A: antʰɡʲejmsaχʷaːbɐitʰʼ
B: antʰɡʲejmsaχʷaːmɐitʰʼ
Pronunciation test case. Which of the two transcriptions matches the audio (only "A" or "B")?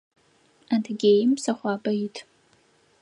A